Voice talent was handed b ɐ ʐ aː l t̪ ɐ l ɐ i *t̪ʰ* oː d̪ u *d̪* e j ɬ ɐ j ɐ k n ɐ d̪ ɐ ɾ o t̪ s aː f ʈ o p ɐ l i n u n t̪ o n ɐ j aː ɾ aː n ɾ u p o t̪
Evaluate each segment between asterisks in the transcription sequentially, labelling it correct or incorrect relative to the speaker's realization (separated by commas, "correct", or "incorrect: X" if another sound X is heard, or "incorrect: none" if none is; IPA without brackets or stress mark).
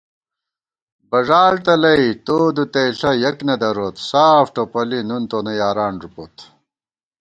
incorrect: t̪, incorrect: t̪